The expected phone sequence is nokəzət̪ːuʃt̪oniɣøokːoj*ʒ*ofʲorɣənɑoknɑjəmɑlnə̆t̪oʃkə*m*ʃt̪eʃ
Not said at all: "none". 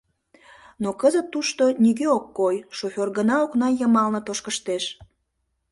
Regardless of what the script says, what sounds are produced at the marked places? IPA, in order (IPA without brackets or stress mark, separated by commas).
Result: ʃ, none